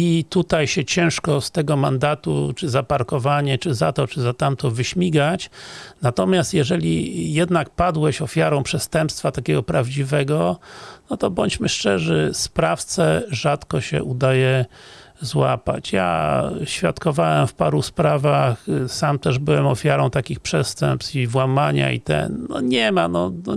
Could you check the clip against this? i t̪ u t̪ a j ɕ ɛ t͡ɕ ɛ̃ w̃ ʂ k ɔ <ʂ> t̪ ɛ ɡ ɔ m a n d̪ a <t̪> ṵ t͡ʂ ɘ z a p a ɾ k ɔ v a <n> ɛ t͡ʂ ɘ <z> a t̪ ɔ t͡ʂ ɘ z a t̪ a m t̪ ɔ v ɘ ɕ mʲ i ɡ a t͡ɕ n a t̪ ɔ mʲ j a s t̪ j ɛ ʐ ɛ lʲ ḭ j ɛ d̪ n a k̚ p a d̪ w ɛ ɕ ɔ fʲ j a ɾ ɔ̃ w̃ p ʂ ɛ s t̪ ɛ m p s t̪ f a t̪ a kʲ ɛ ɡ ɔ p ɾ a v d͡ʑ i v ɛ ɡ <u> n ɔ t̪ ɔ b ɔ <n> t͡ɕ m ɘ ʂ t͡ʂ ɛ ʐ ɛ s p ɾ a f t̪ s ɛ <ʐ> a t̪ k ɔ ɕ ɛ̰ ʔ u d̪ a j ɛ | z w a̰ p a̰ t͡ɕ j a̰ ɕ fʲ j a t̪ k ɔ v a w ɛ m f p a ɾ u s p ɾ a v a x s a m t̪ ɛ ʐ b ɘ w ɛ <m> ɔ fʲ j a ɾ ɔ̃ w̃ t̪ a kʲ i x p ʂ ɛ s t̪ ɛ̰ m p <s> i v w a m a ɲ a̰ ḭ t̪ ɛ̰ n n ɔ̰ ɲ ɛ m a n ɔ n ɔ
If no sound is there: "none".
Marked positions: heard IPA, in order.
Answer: s, t̪, ɲ, z, ɔ, ɲ, ʐ, m, s

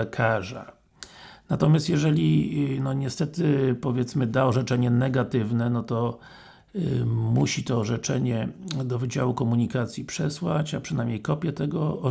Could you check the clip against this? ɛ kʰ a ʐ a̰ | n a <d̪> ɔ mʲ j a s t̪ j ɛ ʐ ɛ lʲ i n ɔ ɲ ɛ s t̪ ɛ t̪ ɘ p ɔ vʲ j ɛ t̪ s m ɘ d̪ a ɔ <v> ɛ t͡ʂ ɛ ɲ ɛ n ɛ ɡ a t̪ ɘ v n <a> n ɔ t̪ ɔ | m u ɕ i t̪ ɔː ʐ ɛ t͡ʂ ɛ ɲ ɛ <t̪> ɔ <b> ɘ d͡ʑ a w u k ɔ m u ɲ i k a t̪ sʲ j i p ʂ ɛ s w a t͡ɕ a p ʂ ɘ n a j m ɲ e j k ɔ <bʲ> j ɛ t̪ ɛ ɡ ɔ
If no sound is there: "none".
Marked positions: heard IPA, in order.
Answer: t̪, ʐ, ɛ, d̪, v, pʲ

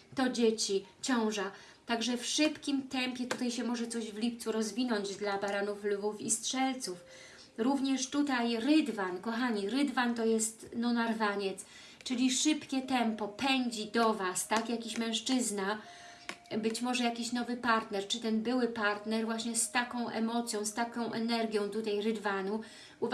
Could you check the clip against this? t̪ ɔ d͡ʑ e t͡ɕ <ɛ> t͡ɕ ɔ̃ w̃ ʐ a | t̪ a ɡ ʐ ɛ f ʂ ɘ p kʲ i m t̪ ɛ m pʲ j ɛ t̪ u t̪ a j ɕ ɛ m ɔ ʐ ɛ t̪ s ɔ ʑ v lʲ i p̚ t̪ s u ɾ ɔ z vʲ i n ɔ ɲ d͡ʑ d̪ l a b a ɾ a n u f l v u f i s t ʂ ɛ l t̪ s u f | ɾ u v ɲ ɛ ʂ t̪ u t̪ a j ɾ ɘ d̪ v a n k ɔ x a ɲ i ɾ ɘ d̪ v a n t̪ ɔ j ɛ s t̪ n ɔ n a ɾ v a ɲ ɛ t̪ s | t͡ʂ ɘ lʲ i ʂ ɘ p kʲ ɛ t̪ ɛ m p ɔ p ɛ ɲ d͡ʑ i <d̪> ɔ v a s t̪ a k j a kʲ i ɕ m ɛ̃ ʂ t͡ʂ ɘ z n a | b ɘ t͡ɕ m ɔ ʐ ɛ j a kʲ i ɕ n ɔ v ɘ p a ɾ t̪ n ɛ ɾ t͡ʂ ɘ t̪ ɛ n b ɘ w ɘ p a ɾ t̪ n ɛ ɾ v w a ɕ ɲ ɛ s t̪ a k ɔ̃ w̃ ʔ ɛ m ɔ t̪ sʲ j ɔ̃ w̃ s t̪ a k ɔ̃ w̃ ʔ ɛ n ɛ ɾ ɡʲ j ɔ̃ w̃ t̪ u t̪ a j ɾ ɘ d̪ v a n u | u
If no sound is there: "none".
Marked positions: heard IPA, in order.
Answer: i, d̪

